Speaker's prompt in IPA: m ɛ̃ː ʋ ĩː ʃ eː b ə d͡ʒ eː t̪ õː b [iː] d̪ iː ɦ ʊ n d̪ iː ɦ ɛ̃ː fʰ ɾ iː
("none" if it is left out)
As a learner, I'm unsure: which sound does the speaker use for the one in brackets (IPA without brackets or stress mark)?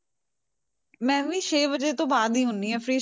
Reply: aː